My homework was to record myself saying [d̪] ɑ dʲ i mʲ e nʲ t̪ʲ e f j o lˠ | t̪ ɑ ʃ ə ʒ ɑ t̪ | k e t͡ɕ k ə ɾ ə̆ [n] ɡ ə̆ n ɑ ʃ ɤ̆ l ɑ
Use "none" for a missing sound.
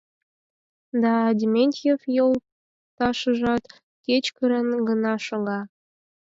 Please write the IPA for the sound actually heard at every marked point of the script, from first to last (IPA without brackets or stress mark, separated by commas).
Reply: d̪, n